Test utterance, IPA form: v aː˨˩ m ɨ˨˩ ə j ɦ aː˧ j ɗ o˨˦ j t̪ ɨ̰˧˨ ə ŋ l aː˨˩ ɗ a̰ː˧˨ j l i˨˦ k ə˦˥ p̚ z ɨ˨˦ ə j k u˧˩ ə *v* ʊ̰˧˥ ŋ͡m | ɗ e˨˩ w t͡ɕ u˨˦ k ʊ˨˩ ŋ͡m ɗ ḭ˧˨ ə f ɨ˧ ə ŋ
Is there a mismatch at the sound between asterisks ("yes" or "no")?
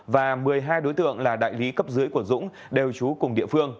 yes